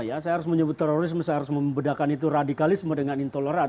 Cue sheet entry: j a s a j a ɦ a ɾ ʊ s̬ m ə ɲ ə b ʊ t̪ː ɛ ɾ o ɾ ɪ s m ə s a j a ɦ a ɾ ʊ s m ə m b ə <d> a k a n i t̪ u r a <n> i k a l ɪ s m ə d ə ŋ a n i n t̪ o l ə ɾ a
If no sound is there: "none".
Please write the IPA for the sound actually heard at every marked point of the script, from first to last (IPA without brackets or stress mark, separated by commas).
d, d